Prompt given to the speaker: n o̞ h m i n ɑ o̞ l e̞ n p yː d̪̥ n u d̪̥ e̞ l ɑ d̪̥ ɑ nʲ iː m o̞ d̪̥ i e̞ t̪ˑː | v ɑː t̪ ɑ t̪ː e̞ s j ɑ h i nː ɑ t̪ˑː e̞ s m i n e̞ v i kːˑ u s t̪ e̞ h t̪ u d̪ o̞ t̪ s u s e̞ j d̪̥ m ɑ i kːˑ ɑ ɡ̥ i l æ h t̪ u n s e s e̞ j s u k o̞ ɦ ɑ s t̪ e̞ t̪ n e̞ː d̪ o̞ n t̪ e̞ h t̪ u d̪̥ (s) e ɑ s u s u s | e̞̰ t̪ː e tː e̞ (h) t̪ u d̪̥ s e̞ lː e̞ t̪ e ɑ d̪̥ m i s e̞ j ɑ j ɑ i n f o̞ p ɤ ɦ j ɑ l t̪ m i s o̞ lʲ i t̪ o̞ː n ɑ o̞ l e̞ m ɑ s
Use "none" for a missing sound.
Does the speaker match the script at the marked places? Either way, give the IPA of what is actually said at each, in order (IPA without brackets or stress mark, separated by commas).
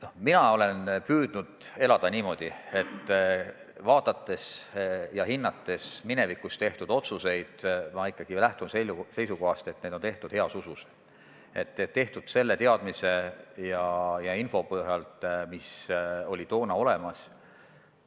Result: h, h